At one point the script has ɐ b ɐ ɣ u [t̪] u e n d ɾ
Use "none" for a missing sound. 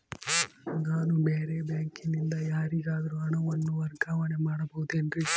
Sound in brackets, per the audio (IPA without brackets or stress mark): d̪